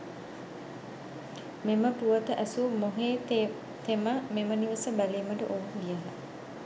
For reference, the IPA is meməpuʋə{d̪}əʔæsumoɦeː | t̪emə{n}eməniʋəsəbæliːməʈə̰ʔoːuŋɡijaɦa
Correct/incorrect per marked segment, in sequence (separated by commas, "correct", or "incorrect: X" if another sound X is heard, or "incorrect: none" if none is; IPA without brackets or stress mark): incorrect: t̪, incorrect: m